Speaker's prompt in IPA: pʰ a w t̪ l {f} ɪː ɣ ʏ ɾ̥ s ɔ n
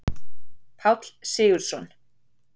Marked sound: incorrect: s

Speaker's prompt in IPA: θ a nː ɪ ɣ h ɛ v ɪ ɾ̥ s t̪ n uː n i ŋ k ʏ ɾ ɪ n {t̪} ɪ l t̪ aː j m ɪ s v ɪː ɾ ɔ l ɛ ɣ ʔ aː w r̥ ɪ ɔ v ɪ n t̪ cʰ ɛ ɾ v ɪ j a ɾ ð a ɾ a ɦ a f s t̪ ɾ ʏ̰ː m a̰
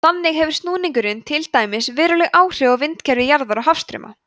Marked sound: incorrect: t̪ʰ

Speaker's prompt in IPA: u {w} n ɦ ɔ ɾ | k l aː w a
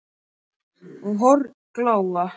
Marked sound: incorrect: none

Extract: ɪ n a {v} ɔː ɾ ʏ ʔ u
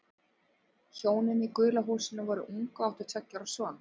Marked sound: correct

